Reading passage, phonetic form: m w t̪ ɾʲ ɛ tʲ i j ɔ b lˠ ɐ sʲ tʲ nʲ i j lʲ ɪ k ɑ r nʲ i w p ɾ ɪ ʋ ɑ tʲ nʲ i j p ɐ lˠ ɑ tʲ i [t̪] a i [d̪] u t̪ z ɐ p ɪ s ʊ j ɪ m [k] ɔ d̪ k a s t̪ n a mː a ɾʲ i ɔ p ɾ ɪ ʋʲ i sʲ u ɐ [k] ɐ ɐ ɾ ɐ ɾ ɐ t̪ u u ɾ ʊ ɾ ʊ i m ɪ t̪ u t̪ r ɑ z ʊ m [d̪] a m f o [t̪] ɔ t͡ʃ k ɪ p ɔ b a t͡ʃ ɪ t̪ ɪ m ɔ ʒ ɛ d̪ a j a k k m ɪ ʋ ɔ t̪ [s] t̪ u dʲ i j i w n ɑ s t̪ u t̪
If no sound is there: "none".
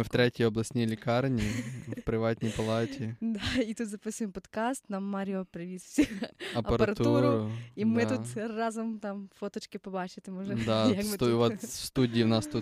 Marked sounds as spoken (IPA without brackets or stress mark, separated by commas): d̪, t̪, p, p, t̪, t̪, s